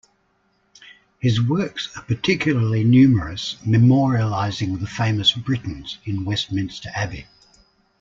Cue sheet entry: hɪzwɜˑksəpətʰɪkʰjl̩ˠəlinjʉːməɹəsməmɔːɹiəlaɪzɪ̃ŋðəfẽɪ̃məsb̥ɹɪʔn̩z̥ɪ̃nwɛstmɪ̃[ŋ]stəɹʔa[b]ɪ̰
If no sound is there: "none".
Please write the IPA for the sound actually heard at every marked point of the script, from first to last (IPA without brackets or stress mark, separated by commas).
n, b